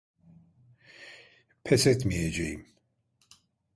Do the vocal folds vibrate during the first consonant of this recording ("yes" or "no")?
no